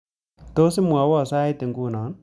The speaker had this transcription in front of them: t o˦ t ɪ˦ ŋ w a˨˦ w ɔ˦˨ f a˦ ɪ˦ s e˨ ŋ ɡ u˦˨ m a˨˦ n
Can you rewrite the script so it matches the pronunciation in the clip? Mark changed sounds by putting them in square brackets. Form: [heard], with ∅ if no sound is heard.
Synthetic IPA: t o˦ [s] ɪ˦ [m] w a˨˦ w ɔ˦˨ [s] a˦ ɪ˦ [t] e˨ ŋ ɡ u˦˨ [n] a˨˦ n